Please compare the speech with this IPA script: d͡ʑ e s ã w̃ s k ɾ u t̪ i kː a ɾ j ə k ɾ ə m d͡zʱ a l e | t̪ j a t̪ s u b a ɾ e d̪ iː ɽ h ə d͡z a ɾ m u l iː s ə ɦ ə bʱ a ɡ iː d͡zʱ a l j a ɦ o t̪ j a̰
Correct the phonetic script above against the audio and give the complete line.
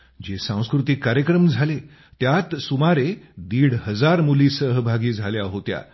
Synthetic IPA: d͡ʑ e s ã w̃ s k ɾ u t̪ i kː a ɾ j ə k ɾ ə m d͡zʱ a l e | t̪ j a t̪ s u m a ɾ e d̪ iː ɽ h ə d͡z a ɾ m u l iː s ə ɦ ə bʱ a ɡ iː d͡zʱ a l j a ɦ o t̪ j a̰

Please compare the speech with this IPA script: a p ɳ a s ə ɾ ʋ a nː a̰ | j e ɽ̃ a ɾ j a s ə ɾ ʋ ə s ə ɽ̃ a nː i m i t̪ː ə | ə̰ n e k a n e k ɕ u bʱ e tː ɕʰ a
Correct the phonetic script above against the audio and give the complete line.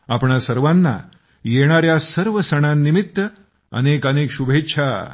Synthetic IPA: a p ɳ a s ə ɾ ʋ a nː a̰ | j e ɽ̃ a ɾ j a s ə ɾ ʋ ə s ə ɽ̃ a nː i m i t̪ː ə | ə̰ n e k ə n e k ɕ u bʱ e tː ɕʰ a

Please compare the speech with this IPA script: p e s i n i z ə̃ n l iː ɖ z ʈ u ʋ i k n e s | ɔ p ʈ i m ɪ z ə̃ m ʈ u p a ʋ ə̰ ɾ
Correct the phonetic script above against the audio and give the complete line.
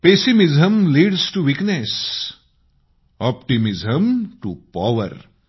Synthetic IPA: p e s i m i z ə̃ m l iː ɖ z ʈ u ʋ i k n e s | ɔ p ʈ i m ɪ z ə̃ m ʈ u p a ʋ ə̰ ɾ

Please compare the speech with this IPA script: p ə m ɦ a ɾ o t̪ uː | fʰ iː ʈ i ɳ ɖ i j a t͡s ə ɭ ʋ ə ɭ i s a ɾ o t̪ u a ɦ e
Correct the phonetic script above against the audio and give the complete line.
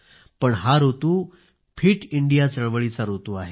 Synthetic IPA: p ə ɳ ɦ a ɾ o t̪ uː | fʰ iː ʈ i ɳ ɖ i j a t͡s ə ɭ ʋ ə ɭ i t͡s a ɾ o t̪ u a ɦ e

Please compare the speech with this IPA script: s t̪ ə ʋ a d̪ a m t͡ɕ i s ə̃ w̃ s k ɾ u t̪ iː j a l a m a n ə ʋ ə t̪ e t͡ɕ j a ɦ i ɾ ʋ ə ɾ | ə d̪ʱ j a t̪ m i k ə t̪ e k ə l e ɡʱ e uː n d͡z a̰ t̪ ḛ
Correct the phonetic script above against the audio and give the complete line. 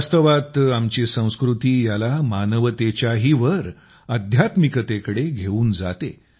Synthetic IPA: s t̪ ə ʋ a t̪ a m t͡ɕ i s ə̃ w̃ s k ɾ u t̪ iː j a l a m a n ə ʋ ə t̪ e t͡ɕ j a ɦ i ʋ ə ɾ | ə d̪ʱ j a t̪ m i k ə t̪ e k ə ɽ e ɡʱ e uː n d͡z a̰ t̪ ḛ

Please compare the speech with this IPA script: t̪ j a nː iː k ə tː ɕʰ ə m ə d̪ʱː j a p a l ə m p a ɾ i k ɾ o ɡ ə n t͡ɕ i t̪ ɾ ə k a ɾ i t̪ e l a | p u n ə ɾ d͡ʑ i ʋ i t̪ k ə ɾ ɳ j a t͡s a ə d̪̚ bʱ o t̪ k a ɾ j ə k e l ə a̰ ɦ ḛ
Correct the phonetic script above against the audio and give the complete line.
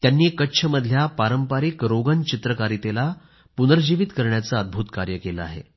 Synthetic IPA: t̪ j a nː iː k ə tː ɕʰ ə m ə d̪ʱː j a p a ɾ ə m p a ɾ i k ɾ o ɡ ə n t͡ɕ i t̪ ɾ ə k a ɾ i t̪ e l a | p u n ə ɾ d͡ʑ i ʋ i t̪ k ə ɾ ɳ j a t͡s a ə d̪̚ bʱ u t̪ k a ɾ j ə k e l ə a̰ ɦ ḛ

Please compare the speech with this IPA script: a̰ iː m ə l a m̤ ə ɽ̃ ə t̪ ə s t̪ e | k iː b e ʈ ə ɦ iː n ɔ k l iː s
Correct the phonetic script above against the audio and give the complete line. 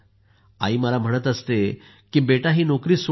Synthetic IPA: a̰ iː m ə l a m̤ ə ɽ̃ ə t̪ ə s t̪ e | k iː b e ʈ a ɦ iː n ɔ k ɾ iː s

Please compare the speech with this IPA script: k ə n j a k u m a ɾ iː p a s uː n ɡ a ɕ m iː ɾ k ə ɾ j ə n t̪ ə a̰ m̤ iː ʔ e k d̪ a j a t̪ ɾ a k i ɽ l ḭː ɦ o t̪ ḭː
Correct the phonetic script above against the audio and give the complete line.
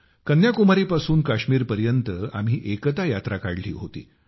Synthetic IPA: k ə n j a k u m a ɾ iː p a s uː n k a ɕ m iː ɾ p ə ɾ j ə n t̪ ə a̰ m̤ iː ʔ e k t̪ a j a t̪ ɾ a k a ɽ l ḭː ɦ o t̪ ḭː

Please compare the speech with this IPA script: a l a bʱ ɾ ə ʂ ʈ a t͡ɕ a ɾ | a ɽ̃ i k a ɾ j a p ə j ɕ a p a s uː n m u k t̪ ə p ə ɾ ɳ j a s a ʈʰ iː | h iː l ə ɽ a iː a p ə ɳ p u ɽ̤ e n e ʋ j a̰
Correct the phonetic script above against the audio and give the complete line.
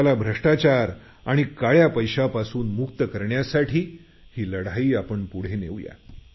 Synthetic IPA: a l a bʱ ɾ ə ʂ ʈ a t͡ɕ a ɾ | a ɽ̃ i k a ɭ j a p ə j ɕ a p a s uː n m u k t̪ ə k ə ɾ ɳ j a s a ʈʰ iː | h iː l ə ɽ a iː a p ə ɳ p u ɽ̤ e n e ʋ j a̰

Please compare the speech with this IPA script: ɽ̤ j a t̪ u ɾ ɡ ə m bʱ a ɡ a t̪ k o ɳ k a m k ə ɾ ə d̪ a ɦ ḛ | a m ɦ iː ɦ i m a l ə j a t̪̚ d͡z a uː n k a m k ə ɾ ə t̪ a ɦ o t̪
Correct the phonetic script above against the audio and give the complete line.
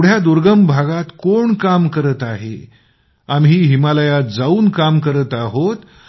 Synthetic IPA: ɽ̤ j a d̪ u ɾ ɡ ə m bʱ a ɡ a t̪ k o ɳ k a m k ə ɾ ə t̪ a ɦ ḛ | a m ɦ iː ɦ i m a l ə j a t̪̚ d͡z a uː n k a m k ə ɾ ə t̪ a ɦ o t̪

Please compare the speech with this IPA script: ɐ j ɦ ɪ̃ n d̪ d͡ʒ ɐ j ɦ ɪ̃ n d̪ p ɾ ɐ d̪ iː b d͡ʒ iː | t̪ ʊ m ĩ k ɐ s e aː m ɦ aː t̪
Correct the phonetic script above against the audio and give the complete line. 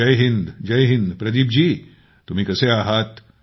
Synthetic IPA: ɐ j ɦ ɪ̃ n d̪ d͡ʒ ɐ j ɦ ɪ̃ n d̪ p ɾ ɐ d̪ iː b d͡ʒ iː | t̪ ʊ m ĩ k ɐ s e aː ɦ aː t̪

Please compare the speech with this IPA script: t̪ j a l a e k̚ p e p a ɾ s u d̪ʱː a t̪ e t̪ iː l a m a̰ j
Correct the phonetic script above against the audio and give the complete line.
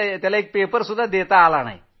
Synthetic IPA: t̪ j a l a e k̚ p e p ə ɾ s u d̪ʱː a d̪ e t̪ aː l a n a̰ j

